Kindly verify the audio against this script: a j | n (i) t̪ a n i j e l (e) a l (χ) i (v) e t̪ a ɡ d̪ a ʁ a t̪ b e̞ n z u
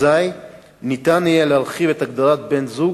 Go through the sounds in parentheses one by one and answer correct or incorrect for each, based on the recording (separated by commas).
correct, correct, correct, correct